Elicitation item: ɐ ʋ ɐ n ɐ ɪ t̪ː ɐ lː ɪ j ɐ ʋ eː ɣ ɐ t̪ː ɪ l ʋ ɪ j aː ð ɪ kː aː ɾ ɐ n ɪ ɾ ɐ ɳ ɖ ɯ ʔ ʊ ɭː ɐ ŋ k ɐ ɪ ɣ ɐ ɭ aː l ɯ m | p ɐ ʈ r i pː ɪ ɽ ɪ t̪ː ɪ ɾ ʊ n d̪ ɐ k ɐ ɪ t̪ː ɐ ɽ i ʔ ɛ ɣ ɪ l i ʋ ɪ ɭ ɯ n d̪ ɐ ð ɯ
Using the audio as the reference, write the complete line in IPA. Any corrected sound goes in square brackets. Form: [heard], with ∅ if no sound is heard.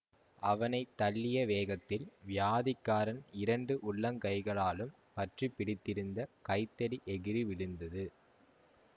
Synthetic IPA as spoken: ɐ ʋ ɐ n ɐ ɪ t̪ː ɐ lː ɪ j ɐ ʋ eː ɣ ɐ t̪ː ɪ l ʋ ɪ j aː ð ɪ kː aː ɾ ɐ n ɪ ɾ ɐ ɳ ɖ ɯ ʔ ʊ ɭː ɐ ŋ k ɐ ɪ ɣ ɐ ɭ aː l ɯ m | p ɐ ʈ r i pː ɪ ɽ ɪ t̪ː ɪ ɾ [ɯ] n d̪ ɐ k ɐ ɪ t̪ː ɐ ɽ i ʔ ɛ ɣ ɪ [ɾ] i ʋ ɪ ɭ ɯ n d̪ ɐ ð ɯ